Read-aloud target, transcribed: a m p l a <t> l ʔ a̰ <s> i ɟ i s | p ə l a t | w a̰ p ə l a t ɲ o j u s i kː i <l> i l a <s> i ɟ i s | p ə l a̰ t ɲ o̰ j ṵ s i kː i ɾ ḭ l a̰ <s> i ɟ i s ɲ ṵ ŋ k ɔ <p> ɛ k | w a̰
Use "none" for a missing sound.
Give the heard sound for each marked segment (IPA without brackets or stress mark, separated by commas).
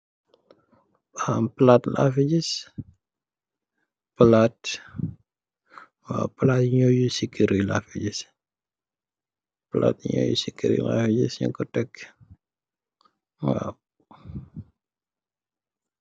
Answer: t, f, ɾ, f, f, t